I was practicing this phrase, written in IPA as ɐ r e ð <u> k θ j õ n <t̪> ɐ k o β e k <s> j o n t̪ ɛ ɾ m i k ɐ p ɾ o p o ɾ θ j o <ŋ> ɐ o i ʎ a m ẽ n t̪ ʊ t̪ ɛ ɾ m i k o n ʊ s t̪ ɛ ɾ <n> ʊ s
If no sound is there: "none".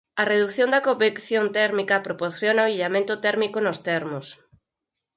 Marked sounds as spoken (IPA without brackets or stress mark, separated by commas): u, d̪, θ, n, m